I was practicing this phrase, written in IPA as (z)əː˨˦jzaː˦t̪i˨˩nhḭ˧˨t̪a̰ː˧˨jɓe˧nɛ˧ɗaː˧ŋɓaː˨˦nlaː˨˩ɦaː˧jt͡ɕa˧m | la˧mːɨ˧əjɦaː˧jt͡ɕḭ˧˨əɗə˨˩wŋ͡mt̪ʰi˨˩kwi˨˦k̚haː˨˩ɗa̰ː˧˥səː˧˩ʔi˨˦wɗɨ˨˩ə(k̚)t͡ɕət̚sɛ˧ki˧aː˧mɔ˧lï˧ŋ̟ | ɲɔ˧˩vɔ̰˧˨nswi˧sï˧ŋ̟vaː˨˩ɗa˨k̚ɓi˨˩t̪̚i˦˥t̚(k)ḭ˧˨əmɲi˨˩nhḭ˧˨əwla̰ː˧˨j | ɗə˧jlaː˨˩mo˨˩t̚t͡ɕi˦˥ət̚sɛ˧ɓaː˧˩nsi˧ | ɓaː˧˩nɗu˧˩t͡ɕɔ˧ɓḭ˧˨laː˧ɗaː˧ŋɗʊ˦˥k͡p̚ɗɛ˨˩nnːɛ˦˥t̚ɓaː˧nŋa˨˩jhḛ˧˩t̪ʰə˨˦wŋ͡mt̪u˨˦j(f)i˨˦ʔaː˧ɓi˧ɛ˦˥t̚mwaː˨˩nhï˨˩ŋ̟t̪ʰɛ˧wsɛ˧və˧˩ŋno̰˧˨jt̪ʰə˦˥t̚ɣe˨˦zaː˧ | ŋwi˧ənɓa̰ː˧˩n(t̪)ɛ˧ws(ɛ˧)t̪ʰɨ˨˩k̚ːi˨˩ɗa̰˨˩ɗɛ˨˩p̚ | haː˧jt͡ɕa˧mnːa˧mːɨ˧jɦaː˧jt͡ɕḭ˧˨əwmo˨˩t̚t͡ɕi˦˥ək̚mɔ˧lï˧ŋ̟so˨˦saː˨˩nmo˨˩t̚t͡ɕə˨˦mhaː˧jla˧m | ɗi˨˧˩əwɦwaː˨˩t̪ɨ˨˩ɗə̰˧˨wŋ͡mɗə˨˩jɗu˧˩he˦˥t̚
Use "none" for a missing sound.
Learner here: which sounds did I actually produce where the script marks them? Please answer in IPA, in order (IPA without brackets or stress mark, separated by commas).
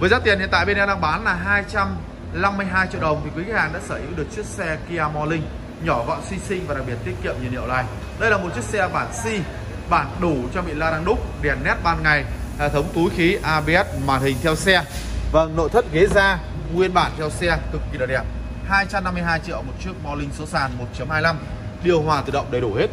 v, k̚, k, x, t̪ʰ, ɛ˧